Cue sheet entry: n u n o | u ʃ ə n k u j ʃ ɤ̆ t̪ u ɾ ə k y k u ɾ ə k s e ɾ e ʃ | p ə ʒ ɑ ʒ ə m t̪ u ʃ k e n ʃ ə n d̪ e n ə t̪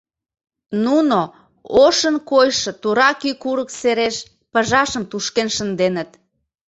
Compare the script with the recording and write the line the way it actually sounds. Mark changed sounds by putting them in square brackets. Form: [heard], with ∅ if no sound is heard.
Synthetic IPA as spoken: n u n o | [o] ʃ ə n k [o] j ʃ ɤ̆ t̪ u ɾ [ɑ] k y k u ɾ ə k s e ɾ e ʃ | p ə ʒ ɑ [ʃ] ə m t̪ u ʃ k e n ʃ ə n d̪ e n ə t̪